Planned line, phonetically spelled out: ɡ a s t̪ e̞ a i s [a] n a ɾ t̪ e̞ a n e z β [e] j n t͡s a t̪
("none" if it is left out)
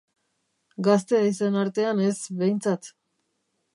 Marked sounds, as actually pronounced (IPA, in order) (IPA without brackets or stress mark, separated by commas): e, e